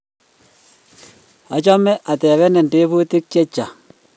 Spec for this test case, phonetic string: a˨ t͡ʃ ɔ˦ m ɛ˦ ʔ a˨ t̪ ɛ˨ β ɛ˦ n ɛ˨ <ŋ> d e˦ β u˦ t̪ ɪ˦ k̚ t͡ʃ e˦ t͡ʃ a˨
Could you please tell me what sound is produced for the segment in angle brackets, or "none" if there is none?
n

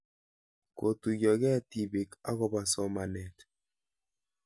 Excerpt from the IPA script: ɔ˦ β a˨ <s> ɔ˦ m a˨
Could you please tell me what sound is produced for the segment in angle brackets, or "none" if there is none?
s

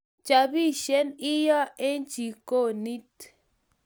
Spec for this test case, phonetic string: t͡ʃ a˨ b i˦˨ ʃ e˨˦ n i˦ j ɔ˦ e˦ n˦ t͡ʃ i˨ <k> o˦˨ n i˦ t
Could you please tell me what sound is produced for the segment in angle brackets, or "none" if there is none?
k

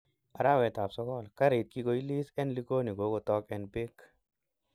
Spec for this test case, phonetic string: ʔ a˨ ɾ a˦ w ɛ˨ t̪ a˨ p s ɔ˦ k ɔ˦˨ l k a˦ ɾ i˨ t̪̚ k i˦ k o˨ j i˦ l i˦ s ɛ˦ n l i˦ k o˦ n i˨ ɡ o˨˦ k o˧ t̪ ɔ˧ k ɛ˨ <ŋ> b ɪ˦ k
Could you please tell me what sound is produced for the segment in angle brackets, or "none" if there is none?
n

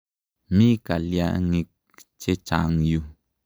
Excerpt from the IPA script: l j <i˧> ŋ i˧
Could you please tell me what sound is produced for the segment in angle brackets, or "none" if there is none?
a˧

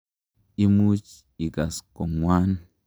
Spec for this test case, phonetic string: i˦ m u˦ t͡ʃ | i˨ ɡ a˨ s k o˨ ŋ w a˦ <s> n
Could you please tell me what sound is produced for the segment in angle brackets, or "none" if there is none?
none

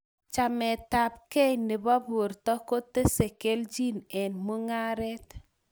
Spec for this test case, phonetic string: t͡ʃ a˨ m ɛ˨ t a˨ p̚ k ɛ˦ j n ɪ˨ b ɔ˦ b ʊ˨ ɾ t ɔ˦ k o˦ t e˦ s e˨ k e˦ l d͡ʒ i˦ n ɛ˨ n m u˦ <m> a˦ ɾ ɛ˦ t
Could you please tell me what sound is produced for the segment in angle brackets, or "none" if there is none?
ŋ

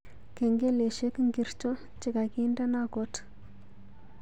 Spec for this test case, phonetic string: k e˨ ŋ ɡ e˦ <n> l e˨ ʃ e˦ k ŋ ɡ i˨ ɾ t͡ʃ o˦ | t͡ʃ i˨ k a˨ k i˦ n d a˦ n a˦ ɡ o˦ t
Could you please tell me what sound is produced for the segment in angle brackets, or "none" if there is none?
none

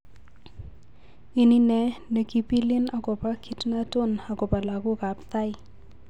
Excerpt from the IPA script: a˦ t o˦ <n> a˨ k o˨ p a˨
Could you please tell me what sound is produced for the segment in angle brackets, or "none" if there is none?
n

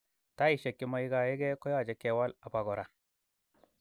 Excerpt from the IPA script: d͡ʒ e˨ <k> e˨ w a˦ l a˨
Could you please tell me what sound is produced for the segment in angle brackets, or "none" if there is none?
k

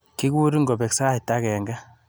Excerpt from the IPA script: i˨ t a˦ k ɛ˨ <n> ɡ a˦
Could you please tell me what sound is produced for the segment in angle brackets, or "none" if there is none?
ŋ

